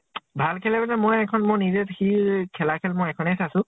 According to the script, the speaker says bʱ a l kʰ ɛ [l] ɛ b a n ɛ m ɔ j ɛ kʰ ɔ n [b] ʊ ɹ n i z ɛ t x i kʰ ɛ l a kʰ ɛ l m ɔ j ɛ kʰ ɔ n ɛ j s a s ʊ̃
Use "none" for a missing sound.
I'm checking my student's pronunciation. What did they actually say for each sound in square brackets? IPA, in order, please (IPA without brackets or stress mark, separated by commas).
l, m